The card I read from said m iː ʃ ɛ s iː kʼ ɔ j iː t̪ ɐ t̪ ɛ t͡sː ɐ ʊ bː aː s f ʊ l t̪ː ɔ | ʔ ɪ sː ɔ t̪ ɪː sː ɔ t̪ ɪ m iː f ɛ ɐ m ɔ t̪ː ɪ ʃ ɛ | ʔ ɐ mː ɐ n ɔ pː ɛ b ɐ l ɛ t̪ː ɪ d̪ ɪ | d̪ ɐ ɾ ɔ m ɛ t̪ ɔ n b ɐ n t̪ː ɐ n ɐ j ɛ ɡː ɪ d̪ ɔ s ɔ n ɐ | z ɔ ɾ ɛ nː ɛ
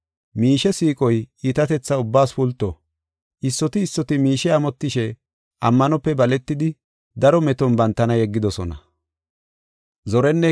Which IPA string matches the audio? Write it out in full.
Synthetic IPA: m iː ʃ ɛ s iː kʼ ɔ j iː t̪ ɐ t̪ ɛ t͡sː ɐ ʊ bː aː s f ʊ l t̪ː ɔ | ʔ ɪ sː ɔ t̪ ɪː sː ɔ t̪ ɪ m iː ʃ ɛ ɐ m ɔ t̪ː ɪ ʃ ɛ | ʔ ɐ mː ɐ n ɔ pː ɛ b ɐ l ɛ t̪ː ɪ d̪ ɪ | d̪ ɐ ɾ ɔ m ɛ t̪ ɔ n b ɐ n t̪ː ɐ n ɐ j ɛ ɡː ɪ d̪ ɔ s ɔ n ɐ | z ɔ ɾ ɛ nː ɛ